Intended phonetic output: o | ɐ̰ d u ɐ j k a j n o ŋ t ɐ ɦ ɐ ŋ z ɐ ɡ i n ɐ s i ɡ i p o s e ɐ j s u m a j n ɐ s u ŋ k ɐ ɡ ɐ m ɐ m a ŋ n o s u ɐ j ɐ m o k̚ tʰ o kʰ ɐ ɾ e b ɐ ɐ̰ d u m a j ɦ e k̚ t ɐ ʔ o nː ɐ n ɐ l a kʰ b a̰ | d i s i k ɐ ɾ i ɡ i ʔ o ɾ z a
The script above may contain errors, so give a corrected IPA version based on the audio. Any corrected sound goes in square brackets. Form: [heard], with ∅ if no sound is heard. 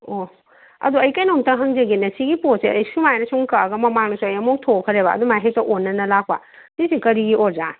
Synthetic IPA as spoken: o | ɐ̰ d u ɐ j k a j n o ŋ t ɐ ɦ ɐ ŋ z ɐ ɡ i n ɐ s i ɡ i p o s e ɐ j s u m a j n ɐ s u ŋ k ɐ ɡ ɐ m ɐ m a ŋ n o s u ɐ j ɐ m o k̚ tʰ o kʰ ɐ ɾ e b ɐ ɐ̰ d u m a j ɦ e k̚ t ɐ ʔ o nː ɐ n ɐ l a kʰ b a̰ | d i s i k ɐ ɾ i ɡ i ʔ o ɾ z a